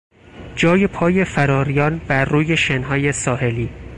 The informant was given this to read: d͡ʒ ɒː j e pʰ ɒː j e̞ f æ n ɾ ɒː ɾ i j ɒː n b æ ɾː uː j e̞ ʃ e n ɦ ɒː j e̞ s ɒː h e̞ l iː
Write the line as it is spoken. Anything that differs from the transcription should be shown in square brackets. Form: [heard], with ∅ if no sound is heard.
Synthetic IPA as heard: d͡ʒ ɒː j e pʰ ɒː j e̞ f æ [∅] ɾ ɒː ɾ i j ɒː n b æ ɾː uː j e̞ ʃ e n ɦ ɒː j e̞ s ɒː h e̞ l iː